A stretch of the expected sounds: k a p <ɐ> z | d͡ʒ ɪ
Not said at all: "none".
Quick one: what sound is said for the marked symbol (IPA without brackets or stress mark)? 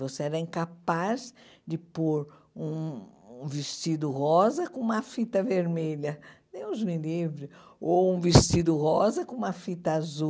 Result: a